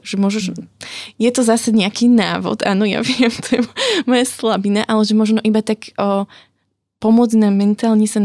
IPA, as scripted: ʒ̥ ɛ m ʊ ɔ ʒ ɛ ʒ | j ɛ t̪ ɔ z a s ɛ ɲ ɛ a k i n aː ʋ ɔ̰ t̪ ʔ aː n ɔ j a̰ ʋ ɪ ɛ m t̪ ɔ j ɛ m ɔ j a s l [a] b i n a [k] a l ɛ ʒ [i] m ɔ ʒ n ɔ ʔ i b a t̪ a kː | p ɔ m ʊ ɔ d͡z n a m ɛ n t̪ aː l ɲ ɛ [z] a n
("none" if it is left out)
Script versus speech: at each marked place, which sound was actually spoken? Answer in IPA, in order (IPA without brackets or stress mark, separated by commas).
a, ʔ, ɛ, s